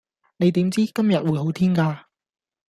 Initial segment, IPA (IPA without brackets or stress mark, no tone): n